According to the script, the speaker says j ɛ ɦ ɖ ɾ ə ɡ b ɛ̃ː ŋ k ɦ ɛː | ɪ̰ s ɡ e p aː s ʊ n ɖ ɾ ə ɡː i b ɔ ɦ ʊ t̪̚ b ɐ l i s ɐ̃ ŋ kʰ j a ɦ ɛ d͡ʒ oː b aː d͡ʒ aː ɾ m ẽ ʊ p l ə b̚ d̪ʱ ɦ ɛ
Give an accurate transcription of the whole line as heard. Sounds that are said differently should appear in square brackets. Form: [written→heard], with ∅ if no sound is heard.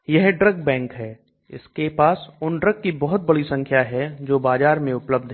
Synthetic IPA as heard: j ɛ ɦ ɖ ɾ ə ɡ b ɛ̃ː ŋ k ɦ ɛː | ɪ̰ s [ɡ→k] e p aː s ʊ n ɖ ɾ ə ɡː i b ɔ ɦ ʊ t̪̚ b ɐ [l→ɽ] i s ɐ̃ ŋ kʰ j a ɦ ɛ d͡ʒ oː b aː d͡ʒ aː ɾ m ẽ ʊ p l ə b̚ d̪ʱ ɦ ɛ

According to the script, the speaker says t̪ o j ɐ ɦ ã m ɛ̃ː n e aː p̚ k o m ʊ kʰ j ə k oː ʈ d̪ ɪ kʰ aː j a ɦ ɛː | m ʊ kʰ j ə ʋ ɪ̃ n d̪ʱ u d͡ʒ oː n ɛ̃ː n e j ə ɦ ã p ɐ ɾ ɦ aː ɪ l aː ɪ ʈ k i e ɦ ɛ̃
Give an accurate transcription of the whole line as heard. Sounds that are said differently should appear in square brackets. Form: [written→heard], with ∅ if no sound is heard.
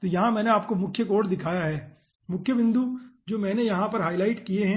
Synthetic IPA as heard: t̪ o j ɐ ɦ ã m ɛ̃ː n e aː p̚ k o m ʊ kʰ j ə k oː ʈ d̪ ɪ kʰ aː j a ɦ ɛː | m ʊ kʰ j ə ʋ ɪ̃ n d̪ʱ u d͡ʒ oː [n→m] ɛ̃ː n e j [ə→ɐ] ɦ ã p ɐ ɾ ɦ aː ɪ l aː ɪ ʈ k i e ɦ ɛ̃

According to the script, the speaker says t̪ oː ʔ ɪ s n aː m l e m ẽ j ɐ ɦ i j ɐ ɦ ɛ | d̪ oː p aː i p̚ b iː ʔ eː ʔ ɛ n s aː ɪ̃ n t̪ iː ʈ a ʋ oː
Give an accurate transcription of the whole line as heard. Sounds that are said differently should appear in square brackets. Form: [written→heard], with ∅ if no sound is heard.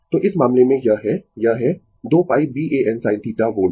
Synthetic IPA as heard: t̪ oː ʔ ɪ s [n→m] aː m l e m ẽ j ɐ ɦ [i→ɛ] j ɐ ɦ ɛ | d̪ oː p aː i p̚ b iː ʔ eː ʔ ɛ n s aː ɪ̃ n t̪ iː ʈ a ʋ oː

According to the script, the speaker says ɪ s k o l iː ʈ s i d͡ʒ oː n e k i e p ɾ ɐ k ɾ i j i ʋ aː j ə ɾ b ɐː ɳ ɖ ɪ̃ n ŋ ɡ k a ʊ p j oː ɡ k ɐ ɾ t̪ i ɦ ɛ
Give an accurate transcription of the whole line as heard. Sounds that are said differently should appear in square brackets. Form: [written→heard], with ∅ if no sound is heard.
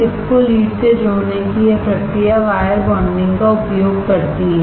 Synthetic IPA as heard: ɪ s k o l iː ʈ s [i→e] d͡ʒ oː n e k i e p ɾ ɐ k ɾ i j [i→a] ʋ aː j ə ɾ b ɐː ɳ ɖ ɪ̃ [n→∅] ŋ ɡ k a ʊ p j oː ɡ k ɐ ɾ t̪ i ɦ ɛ

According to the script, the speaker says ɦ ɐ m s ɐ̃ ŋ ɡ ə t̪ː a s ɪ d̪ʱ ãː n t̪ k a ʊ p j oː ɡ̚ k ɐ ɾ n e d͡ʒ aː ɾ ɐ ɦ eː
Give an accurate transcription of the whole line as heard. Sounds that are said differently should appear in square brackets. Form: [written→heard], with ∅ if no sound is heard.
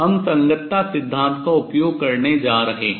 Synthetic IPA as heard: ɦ ɐ m s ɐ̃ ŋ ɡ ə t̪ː a s ɪ [d̪ʱ→d̪ʱː] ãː n t̪ k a ʊ p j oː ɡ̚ k ɐ ɾ n e d͡ʒ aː ɾ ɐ ɦ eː

